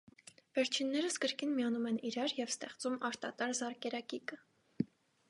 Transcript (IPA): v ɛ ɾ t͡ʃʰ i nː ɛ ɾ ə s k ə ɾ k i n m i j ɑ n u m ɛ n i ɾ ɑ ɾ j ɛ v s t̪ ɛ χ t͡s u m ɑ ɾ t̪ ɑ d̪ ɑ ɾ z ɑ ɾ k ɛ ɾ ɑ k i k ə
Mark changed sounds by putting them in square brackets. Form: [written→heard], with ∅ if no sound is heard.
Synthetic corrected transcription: v ɛ ɾ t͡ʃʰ i nː ɛ ɾ ə s k ə ɾ k i n m i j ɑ n u m ɛ n i ɾ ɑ ɾ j ɛ v s t̪ ɛ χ t͡s u m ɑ ɾ t̪ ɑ [d̪→t̪] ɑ ɾ z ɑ ɾ k ɛ ɾ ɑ k i k ə